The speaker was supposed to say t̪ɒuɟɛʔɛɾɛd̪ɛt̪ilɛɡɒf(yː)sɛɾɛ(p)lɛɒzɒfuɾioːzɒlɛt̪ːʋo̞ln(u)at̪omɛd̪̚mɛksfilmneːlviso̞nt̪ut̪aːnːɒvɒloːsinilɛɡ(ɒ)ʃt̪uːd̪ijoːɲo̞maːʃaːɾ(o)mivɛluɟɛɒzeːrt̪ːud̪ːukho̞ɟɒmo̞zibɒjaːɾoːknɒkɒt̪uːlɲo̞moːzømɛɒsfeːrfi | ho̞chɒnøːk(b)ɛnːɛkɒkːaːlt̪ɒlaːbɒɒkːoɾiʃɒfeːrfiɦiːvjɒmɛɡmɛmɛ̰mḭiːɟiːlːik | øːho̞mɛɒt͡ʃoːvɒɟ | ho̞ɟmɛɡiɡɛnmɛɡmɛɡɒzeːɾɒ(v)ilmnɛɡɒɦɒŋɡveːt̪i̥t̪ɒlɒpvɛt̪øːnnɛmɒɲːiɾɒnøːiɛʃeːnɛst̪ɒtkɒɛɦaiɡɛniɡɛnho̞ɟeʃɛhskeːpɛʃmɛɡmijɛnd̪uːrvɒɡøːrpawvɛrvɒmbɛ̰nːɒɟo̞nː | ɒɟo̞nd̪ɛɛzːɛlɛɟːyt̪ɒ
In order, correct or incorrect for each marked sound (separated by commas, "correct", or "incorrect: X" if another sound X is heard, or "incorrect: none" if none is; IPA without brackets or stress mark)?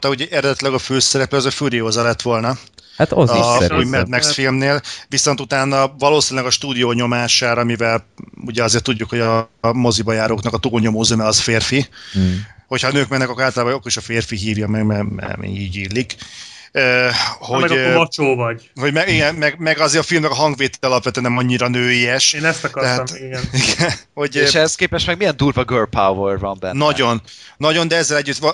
incorrect: øː, correct, incorrect: ɒ, correct, incorrect: ɒ, incorrect: m, incorrect: f